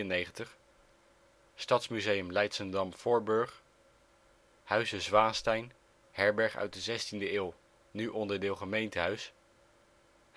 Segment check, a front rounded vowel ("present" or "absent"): present